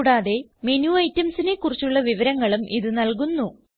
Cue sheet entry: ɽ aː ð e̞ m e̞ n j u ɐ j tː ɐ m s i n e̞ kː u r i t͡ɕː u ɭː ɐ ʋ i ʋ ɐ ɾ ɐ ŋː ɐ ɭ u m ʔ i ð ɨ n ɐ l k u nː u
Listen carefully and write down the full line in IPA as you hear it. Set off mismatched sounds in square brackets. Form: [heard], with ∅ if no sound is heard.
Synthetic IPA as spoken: ɽ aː ð e̞ m e̞ n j u ɐ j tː ɐ m s i n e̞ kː u r i t͡ɕː u ɭː ɐ ʋ i ʋ ɐ ɾ ɐ ŋː ɐ ɭ u m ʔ i ð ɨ n ɐ l k u nː u